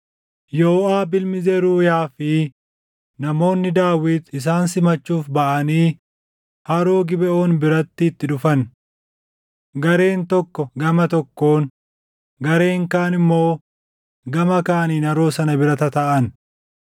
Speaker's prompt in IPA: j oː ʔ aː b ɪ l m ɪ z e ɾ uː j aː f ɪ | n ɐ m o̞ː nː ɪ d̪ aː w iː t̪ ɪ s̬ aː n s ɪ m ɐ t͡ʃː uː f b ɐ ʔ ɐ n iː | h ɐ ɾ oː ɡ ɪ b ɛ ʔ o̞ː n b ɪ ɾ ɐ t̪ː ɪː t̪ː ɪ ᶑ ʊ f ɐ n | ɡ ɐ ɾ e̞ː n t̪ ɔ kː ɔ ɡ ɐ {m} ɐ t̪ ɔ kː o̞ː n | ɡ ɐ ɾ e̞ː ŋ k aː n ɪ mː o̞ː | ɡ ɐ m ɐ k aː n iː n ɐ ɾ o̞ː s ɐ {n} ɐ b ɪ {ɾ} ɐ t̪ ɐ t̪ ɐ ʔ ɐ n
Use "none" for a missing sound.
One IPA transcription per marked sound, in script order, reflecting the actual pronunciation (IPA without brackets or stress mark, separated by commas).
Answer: m, n, ɾ